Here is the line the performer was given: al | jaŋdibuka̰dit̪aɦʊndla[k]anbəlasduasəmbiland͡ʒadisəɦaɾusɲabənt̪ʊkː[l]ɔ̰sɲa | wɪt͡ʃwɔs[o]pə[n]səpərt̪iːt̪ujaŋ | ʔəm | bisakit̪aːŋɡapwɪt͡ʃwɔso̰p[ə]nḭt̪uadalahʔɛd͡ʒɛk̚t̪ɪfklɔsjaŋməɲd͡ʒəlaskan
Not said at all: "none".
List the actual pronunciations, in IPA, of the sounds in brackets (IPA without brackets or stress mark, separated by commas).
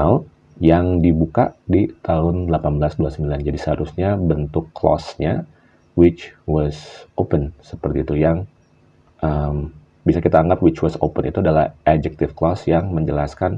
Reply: p, l, o, n, ə